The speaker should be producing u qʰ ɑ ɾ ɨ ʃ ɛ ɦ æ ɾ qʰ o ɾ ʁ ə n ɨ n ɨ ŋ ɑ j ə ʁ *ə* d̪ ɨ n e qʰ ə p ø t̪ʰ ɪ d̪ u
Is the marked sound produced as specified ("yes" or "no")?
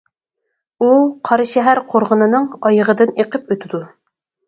yes